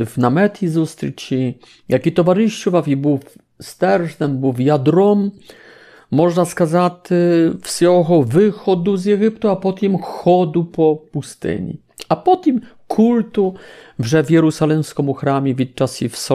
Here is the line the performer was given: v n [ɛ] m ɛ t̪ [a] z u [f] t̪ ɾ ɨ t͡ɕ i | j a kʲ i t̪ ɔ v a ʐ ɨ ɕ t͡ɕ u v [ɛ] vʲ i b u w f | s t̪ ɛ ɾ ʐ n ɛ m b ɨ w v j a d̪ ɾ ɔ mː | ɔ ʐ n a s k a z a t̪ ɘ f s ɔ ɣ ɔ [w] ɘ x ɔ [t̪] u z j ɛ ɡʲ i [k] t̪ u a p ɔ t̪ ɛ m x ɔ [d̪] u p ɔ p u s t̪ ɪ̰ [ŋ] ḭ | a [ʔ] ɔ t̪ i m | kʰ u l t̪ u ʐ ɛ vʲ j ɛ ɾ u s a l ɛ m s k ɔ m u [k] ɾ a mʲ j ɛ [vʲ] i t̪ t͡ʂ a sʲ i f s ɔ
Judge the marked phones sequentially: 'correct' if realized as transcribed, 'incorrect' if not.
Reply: incorrect: a, incorrect: i, incorrect: s, incorrect: a, incorrect: v, incorrect: d̪, incorrect: p, correct, incorrect: ɲ, incorrect: p, incorrect: x, correct

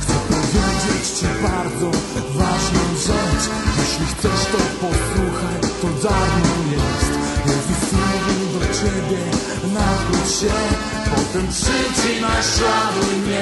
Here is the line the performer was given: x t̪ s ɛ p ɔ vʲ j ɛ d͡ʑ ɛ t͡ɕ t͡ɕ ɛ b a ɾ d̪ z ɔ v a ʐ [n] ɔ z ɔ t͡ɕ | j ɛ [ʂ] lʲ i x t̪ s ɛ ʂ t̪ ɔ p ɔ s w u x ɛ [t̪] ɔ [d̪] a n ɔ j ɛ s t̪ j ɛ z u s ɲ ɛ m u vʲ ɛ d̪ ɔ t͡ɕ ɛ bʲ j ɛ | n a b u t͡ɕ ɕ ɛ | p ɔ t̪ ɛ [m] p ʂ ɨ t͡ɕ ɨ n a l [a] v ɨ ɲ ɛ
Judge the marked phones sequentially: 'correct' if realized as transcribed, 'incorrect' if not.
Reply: correct, incorrect: ɕ, correct, correct, correct, correct

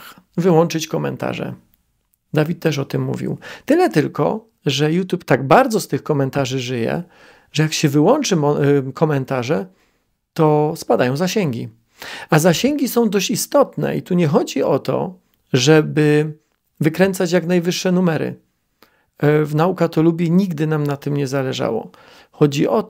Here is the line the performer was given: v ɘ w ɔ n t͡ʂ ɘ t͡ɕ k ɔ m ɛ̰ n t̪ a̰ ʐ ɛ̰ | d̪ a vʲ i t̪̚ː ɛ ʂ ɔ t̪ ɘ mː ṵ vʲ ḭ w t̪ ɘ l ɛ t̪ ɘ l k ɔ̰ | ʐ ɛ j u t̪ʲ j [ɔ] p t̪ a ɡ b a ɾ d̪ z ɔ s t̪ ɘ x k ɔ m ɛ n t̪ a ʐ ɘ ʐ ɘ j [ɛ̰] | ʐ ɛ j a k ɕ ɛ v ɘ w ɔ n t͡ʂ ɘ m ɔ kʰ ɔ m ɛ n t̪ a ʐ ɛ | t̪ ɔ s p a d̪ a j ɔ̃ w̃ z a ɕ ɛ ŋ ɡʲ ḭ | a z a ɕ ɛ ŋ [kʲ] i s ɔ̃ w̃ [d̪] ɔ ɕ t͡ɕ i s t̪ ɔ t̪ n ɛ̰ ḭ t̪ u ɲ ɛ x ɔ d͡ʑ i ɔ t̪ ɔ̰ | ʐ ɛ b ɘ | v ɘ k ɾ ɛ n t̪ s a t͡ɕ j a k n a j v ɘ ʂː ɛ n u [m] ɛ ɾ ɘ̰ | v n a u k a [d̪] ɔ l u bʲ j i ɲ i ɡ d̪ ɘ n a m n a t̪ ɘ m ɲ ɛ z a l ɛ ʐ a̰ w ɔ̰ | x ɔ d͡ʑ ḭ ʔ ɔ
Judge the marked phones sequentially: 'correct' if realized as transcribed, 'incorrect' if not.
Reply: incorrect: u, correct, incorrect: ɡʲ, correct, correct, incorrect: t̪

